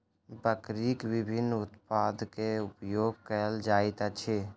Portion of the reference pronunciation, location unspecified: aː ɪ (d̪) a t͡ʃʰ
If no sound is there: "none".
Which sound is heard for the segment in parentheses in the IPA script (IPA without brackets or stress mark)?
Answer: t̪